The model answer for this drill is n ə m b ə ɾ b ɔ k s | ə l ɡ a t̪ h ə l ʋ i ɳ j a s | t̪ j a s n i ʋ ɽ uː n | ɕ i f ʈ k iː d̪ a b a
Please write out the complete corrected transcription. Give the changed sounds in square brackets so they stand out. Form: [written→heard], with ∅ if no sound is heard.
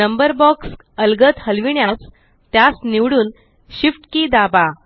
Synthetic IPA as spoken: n ə m b ə ɾ b ɔ k s | ə l ɡ [a→ə] t̪ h ə l ʋ i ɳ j a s | t̪ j a s n i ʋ ɽ uː n | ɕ i f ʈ k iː d̪ a b a